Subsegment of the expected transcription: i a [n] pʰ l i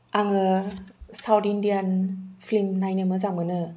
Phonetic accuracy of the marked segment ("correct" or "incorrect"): correct